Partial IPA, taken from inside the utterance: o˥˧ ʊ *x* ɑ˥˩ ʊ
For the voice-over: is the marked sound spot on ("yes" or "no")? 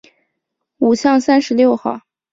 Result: yes